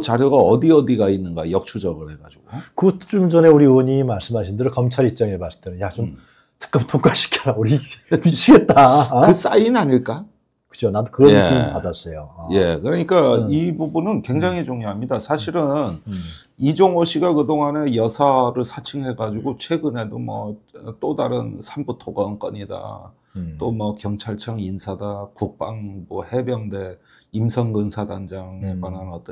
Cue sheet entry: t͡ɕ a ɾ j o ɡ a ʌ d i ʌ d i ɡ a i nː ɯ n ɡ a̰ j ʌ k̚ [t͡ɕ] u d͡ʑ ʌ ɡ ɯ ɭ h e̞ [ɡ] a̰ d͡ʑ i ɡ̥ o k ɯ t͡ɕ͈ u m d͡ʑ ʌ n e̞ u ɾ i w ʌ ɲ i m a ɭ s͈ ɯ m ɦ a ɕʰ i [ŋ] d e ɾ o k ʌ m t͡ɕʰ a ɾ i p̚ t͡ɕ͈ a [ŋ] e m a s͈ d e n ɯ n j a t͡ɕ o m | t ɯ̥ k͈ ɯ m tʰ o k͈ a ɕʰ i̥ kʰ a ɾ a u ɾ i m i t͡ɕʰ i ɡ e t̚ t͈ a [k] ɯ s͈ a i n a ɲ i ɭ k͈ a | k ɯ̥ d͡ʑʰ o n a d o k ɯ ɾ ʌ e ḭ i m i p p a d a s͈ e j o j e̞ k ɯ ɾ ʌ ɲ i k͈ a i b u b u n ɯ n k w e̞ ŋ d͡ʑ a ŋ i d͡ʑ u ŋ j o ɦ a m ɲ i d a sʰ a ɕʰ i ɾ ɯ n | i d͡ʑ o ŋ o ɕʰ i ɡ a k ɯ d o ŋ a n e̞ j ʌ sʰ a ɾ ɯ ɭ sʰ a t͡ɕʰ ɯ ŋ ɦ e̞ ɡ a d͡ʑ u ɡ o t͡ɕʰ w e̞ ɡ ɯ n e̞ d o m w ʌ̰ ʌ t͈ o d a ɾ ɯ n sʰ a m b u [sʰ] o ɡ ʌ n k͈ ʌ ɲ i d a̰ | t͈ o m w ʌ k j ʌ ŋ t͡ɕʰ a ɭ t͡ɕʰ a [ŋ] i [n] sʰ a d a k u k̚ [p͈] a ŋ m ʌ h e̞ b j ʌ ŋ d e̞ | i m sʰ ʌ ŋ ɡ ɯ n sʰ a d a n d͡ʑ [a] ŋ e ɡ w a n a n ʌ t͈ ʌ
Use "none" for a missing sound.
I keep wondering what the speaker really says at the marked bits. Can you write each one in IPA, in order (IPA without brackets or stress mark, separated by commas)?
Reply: t͡ɕʰ, ɡ, n, ŋ, k, tʰ, ŋ, n, p͈, a